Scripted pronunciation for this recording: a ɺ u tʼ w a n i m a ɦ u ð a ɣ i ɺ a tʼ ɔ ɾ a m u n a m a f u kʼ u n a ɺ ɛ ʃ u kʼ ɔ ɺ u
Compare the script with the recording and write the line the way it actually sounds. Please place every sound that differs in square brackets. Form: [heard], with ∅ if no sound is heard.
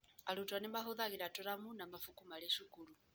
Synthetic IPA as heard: a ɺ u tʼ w a n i m a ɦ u ð a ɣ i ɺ a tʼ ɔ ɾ a m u n a m a f u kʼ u [m] a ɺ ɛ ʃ u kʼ [u] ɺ u

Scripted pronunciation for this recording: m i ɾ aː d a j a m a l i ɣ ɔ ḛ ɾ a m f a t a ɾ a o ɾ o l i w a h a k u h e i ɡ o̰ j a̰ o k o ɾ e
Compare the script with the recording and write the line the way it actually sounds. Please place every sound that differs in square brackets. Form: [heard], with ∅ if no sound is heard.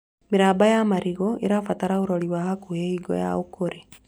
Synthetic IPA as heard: m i ɾ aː [b] a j a m a [ɾ] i ɣ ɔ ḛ ɾ a [∅] f a t a ɾ a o ɾ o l i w a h a k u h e i ɡ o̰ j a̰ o k o ɾ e

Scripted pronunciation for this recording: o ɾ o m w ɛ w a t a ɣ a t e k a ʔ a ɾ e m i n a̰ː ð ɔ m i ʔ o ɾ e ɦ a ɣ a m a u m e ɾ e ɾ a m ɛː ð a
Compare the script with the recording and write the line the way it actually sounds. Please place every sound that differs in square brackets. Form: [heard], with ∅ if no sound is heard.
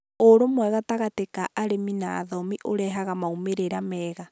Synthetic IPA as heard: o ɾ o m w ɛ [ɣ] a t a ɣ a t e k a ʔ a ɾ e m i n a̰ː ð ɔ m i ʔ o ɾ [ɛ] ɦ a ɣ a m a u m e ɾ e ɾ a m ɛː [ɣ] a

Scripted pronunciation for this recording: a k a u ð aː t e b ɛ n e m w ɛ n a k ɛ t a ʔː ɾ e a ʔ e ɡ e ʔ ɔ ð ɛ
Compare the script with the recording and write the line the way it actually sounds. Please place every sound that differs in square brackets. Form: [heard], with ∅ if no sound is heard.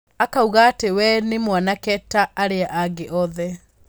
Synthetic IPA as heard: a k a u [ɣ] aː t e [w] ɛ n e m w [a] n a k ɛ t a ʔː ɾ e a ʔ [a] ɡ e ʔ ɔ ð ɛ

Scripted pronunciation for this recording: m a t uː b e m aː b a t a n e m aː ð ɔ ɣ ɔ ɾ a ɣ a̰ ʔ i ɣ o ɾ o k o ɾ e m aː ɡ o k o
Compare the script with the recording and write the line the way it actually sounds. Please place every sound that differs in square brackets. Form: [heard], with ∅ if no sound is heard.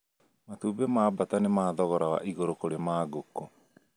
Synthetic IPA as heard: m a t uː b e m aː b a t a n e m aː ð ɔ ɣ ɔ ɾ a [w] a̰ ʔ i ɣ o ɾ o k o ɾ e m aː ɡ o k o

